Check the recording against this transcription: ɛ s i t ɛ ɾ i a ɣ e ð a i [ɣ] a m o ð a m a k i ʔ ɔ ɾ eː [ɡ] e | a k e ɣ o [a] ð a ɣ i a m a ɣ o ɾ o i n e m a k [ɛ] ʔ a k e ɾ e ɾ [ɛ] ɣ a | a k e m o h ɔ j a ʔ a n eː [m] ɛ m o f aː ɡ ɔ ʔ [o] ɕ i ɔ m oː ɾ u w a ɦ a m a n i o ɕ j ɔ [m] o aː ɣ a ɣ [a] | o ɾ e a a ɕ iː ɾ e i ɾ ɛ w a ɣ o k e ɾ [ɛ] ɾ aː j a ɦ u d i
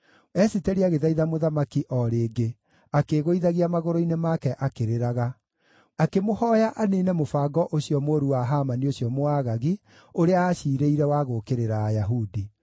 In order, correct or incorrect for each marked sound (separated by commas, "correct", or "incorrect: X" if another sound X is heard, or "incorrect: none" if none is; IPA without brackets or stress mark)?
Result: incorrect: ð, correct, incorrect: i, correct, incorrect: a, incorrect: n, correct, correct, incorrect: i, incorrect: e